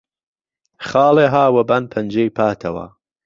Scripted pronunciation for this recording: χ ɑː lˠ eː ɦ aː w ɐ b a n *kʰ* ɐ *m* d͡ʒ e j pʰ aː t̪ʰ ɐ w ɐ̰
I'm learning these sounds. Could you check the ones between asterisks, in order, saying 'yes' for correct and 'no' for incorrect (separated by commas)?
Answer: no, no